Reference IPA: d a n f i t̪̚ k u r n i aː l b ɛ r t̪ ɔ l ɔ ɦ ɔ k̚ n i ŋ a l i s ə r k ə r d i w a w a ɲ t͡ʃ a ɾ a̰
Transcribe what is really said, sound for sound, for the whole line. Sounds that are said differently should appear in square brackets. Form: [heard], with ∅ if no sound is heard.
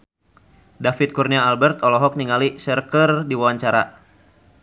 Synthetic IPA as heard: d a [∅] f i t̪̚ k u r n i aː l b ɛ r t̪ ɔ l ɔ ɦ ɔ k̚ n i ŋ a l i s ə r k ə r d i w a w a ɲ t͡ʃ a ɾ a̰